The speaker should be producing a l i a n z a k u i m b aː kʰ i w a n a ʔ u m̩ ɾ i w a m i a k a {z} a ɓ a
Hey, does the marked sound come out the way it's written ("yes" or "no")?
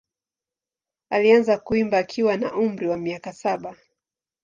no